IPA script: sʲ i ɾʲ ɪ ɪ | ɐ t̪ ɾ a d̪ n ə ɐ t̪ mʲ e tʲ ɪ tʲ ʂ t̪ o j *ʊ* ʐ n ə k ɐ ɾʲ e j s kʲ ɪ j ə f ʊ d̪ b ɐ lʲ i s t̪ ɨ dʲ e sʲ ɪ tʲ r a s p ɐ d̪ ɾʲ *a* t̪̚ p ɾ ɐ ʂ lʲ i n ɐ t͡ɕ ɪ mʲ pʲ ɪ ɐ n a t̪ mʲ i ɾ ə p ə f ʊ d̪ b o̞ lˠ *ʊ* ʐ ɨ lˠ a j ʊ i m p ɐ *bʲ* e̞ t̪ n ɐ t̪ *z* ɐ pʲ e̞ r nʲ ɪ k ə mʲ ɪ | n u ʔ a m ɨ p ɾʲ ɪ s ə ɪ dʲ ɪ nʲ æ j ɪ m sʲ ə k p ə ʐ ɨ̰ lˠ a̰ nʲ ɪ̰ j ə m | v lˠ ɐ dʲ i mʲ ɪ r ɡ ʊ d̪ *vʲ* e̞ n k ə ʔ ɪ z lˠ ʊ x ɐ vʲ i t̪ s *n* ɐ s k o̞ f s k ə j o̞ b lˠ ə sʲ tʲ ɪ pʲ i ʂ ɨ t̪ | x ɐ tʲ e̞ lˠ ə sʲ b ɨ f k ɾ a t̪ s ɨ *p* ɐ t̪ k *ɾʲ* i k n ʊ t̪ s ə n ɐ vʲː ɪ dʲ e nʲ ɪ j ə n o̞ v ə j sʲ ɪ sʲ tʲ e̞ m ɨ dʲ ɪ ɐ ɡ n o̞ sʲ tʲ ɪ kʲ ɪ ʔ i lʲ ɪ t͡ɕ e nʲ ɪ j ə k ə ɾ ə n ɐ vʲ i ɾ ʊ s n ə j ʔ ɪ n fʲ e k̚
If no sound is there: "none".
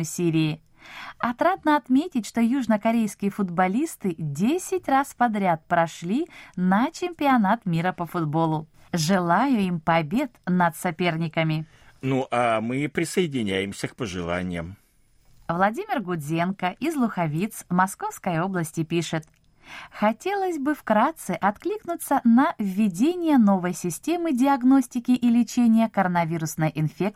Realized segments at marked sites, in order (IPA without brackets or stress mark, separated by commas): u, a, ʊ, bʲ, s, zʲ, m, ʔ, lʲ